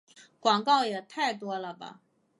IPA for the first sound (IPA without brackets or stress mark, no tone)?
k